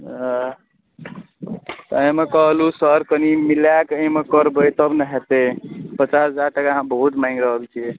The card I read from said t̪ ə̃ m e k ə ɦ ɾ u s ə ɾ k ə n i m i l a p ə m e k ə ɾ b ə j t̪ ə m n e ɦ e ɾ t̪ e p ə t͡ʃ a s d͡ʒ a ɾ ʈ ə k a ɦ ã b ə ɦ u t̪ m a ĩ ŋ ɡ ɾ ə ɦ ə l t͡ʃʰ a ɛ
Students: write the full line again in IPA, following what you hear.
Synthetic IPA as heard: t̪ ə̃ m e k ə ɦ l u s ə ɾ k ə n i m i l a k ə m e k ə ɾ b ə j t̪ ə b n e ɦ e t̪ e p ə t͡ʃ a s d͡ʒ a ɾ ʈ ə k a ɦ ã b ə ɦ u t̪ m a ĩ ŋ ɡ ɾ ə ɦ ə l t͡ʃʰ i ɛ

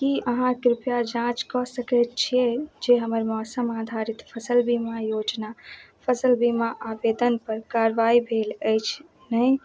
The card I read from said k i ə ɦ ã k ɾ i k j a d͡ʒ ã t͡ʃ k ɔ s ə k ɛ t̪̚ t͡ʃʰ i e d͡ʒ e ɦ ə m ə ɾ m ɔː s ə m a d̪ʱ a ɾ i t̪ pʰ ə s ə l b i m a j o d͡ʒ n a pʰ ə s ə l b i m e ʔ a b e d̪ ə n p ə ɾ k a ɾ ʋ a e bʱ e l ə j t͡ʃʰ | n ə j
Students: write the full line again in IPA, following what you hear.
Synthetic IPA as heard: k i ə ɦ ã k ɾ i p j a d͡ʒ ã t͡ʃ k ɔ s ə k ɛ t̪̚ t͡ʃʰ i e d͡ʒ e ɦ ə m ə ɾ m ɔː s ə m a d̪ʱ a ɾ i t̪ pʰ ə s ə l b i m a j o d͡ʒ n a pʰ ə s ə l b i m a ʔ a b e d̪ ə n p ə ɾ k a ɾ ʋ a i bʱ e l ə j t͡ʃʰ | n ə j

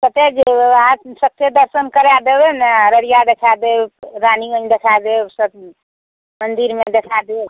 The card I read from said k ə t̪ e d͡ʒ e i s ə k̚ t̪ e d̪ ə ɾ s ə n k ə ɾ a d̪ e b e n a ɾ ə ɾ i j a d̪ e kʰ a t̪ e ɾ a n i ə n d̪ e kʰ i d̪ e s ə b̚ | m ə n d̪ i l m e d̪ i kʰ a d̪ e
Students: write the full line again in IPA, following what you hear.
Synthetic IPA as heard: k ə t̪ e d͡ʒ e a s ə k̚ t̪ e d̪ ə ɾ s ə n k ə ɾ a d̪ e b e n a ɾ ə ɾ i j a d̪ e kʰ a d̪ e ɾ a n i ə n d̪ e kʰ a d̪ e s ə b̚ | m ə n d̪ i ɾ m e d̪ e kʰ a d̪ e

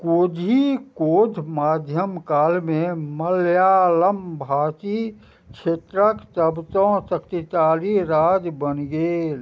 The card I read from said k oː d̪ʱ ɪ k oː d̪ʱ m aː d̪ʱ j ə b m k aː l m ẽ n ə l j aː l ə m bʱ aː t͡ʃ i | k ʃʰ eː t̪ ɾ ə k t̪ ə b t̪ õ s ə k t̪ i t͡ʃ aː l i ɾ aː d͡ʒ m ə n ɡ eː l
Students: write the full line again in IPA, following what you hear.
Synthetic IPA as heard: k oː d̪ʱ i k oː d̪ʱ m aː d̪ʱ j ə m k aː l m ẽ m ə l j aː l ə m bʱ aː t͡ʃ i | k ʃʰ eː t̪ ɾ ə k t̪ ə b t̪ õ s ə k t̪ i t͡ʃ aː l i ɾ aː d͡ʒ b ə n ɡ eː l

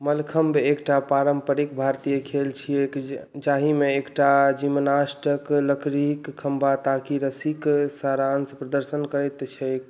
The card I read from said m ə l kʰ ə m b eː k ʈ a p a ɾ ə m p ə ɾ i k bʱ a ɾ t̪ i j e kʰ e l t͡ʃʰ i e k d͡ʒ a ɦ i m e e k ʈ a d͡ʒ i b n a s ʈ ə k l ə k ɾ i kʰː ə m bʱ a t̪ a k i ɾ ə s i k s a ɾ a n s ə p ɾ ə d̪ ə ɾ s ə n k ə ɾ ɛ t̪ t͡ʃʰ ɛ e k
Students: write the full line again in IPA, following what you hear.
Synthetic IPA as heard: m ə l kʰ ə m b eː k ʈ a p a ɾ ə m p ə ɾ i k bʱ a ɾ t̪ i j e kʰ e l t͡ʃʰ i e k d͡ʒ a ɦ i m e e k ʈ a d͡ʒ i m n a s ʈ ə k l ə k ɾ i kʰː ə m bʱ a t̪ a k i ɾ ə s i k s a ɾ a n s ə p ɾ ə d̪ ə ɾ s ə n k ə ɾ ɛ t̪ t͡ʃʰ ɛ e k

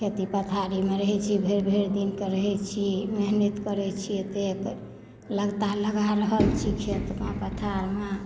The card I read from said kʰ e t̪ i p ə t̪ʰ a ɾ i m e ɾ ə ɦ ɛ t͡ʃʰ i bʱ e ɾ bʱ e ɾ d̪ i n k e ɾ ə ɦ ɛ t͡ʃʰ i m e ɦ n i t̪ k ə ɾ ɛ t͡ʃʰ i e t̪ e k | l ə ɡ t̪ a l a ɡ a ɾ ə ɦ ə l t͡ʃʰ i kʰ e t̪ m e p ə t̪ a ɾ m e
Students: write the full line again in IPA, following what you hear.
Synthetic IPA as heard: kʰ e t̪ i p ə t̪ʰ a ɾ i m e ɾ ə ɦ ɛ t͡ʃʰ i bʱ e ɾ bʱ e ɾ d̪ i n k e ɾ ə ɦ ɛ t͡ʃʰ i m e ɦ n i t̪ k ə ɾ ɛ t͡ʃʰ i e t̪ e k | l ə ɡ t̪ a l ə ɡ a ɾ ə ɦ ə l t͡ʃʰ i kʰ e t̪ m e p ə t̪ʰ a ɾ m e

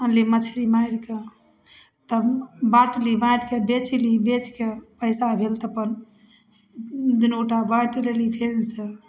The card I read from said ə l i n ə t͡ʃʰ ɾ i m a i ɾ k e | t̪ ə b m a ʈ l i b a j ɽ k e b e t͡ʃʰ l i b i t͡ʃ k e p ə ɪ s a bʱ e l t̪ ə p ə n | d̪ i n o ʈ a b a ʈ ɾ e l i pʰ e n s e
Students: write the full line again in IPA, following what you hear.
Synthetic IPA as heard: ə l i m ə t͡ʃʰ ɾ i m a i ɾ k e | t̪ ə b b a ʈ l i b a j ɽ k e b e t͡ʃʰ l i b e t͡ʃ k e p ə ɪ s a bʱ e l t̪ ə p ə n | d̪ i n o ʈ a b a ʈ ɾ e l i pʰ e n s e

